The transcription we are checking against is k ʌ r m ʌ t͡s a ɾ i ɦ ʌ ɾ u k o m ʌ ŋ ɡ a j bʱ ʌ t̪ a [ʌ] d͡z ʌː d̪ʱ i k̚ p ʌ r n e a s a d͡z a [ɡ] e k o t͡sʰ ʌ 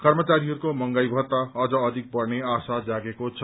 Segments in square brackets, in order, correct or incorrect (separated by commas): correct, correct